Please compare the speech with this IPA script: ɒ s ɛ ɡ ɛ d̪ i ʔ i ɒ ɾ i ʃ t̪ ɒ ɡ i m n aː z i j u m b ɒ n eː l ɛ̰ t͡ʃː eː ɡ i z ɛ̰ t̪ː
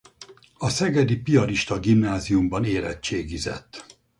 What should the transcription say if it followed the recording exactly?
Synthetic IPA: ɒ s ɛ ɡ ɛ d̪ i p i ɒ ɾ i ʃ t̪ ɒ ɡ i m n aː z i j u m b ɒ n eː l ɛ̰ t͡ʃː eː ɡ i z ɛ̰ t̪ː